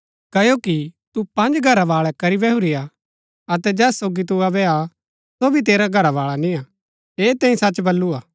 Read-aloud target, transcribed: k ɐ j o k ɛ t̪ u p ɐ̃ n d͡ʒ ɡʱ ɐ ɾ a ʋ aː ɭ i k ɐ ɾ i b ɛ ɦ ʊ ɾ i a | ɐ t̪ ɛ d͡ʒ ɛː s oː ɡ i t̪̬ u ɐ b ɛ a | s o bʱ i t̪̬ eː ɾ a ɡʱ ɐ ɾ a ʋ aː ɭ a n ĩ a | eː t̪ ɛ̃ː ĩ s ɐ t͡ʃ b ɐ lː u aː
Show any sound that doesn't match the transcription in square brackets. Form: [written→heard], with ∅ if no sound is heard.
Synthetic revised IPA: k ɐ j o k [ɛ→i] t̪ u p ɐ̃ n d͡ʒ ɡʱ ɐ ɾ a ʋ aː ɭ [i→ɛ] k ɐ ɾ i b ɛ ɦ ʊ ɾ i a | ɐ t̪ ɛ d͡ʒ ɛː s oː ɡ i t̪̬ u ɐ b ɛ a | s o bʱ i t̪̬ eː ɾ a ɡʱ ɐ ɾ a ʋ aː ɭ a n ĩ a | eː t̪ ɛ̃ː ĩ s ɐ t͡ʃ b ɐ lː u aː